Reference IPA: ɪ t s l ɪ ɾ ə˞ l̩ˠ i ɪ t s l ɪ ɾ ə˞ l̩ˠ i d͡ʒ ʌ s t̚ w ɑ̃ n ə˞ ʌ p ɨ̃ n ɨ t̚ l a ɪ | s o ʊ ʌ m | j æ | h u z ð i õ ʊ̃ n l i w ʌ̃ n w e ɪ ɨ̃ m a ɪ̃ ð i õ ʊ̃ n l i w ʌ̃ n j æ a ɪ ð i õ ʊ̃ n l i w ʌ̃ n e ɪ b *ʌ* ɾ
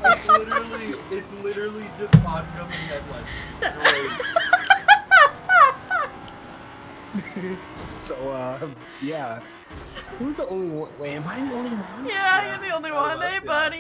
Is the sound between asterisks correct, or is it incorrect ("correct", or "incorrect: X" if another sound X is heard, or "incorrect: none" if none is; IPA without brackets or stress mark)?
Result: correct